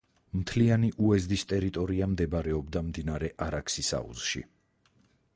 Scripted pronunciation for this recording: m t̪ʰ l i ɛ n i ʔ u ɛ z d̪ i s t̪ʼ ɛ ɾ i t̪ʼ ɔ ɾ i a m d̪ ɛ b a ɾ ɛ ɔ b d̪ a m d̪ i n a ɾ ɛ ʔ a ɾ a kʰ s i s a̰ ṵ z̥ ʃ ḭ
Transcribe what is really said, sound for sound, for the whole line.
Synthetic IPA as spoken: m t̪ʰ l i a n i ʔ u ɛ z d̪ i s t̪ʼ ɛ ɾ i t̪ʼ ɔ ɾ i a m d̪ ɛ b a ɾ ɛ ɔ b d̪ a m d̪ i n a ɾ ɛ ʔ a ɾ a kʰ s i s a̰ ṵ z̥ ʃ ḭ